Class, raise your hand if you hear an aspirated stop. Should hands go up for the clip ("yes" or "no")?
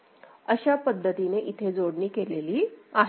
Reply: yes